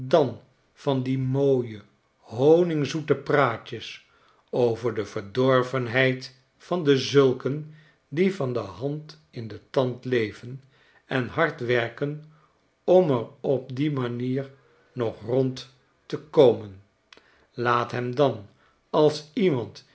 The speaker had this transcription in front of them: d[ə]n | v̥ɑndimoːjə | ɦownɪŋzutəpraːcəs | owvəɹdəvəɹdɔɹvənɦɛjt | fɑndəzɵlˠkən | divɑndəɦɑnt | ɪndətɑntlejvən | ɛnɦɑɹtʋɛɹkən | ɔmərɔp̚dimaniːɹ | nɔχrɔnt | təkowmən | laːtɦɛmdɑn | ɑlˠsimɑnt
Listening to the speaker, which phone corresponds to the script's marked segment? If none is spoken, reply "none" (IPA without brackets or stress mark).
ɑ